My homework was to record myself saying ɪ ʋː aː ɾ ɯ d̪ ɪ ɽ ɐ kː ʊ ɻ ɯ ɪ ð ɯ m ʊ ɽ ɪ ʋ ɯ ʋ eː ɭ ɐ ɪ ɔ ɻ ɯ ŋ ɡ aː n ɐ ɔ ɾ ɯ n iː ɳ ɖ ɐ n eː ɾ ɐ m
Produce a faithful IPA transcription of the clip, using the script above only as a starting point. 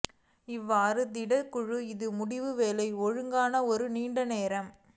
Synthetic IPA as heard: ɪ ʋː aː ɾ ɯ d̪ ɪ ɽ ɐ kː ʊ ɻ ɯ ɪ ð ɯ m ʊ ɽ ɪ ʋ ɯ ʋ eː l ɐ ɪ ɔ ɻ ɯ ŋ ɡ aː n ɐ ɔ ɾ ɯ n iː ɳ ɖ ɐ n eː ɾ ɐ m